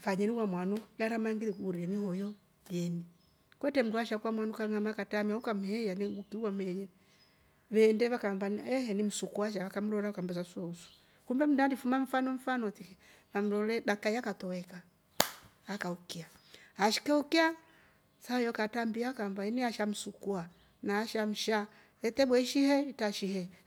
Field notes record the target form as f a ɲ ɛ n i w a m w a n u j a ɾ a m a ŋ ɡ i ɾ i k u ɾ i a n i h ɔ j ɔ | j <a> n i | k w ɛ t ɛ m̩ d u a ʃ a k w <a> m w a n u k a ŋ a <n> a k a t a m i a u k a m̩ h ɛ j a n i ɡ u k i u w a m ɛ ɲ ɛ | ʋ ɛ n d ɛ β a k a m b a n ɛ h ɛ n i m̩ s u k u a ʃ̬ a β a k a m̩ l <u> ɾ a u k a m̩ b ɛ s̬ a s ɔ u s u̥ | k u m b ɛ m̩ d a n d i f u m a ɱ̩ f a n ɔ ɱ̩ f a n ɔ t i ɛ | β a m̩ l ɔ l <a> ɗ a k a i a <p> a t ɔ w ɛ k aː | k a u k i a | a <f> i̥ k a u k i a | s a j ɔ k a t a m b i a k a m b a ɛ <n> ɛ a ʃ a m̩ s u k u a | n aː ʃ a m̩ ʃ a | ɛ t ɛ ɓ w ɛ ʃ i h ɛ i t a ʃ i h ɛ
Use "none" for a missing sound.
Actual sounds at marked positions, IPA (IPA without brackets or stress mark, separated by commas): ɛ, a, m, ɔ, ɛ, k, ʃ, n